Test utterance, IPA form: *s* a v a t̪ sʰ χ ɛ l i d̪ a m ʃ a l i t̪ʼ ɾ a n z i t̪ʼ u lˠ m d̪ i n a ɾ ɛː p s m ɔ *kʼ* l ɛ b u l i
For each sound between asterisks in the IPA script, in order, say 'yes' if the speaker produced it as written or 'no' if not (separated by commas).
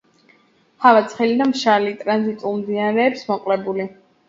no, no